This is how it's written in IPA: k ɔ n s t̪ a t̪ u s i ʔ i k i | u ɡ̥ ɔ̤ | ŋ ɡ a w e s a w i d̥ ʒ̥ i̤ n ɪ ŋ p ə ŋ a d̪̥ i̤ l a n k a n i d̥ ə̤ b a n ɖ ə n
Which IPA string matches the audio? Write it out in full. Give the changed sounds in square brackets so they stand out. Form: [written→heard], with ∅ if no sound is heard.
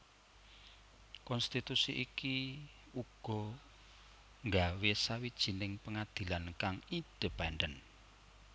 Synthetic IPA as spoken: k ɔ n s t̪ [a→i] t̪ u s i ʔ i k i | u ɡ̥ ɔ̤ | ŋ ɡ a w e s a w i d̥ ʒ̥ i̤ n ɪ ŋ p ə ŋ a d̪̥ i̤ l a n k a [n→ŋ] i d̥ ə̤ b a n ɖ ə n